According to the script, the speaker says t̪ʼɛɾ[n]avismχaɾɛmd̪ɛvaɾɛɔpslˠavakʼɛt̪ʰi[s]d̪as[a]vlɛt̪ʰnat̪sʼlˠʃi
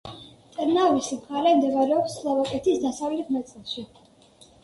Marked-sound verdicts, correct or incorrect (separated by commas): correct, correct, correct